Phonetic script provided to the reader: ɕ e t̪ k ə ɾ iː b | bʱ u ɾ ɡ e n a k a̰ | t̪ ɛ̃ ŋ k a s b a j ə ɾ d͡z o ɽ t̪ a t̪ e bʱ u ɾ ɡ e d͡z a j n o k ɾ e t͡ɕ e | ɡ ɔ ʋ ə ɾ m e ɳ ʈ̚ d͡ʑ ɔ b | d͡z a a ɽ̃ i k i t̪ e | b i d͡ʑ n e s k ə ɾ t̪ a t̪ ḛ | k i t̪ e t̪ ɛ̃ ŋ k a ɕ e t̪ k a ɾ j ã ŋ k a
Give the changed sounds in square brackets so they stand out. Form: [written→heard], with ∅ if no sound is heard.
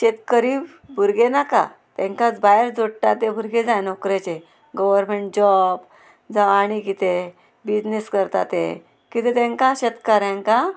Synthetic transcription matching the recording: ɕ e t̪ k ə ɾ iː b | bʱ u ɾ ɡ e n a k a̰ | t̪ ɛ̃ ŋ k a [s→t͡s] b a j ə ɾ d͡z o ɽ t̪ a t̪ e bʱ u ɾ ɡ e d͡z a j n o k ɾ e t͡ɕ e | ɡ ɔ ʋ ə ɾ m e ɳ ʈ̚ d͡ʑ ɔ b | d͡z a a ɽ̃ i k i t̪ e | b i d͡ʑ n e s k ə ɾ t̪ a t̪ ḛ | k i t̪ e t̪ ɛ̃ ŋ k a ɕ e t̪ k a ɾ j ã ŋ k a